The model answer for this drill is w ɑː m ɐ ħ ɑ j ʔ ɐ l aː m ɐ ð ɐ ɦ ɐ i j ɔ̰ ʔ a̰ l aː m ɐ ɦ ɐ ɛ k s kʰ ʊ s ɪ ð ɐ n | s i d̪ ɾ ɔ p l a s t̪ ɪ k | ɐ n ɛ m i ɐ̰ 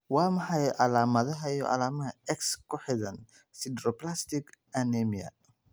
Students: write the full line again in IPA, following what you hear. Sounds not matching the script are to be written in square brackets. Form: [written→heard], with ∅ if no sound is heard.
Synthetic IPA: w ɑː m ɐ ħ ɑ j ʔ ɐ l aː m ɐ ð ɐ ɦ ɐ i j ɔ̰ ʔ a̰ l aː m ɐ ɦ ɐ ɛ k s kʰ ʊ [s→ħ] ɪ ð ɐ n | s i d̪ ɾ ɔ p l a s t̪ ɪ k | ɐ n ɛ m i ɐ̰